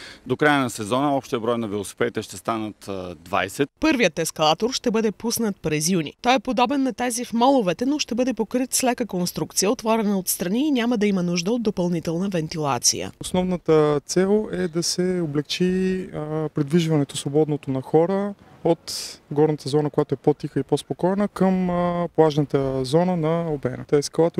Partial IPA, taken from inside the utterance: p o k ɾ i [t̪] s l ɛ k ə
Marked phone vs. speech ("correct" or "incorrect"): correct